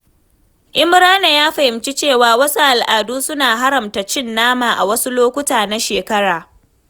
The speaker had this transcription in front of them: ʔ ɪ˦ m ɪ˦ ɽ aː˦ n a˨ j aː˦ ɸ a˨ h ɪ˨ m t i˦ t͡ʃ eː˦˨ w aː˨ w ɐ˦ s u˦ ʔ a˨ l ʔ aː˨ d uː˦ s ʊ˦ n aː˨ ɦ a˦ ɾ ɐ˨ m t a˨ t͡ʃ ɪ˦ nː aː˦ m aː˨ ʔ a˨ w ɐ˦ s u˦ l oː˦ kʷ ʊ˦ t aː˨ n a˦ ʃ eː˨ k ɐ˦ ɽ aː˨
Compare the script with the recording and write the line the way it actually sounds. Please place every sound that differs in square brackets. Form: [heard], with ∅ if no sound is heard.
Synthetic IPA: ʔ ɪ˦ m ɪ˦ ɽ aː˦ n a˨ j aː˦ ɸ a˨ h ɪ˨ m [t͡ʃ] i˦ t͡ʃ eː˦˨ w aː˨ w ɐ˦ s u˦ ʔ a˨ l ʔ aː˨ d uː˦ s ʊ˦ n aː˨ ɦ a˦ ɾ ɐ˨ m t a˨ t͡ʃ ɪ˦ nː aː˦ m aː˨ ʔ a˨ w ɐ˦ s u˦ l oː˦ kʷ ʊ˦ t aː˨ n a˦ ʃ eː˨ k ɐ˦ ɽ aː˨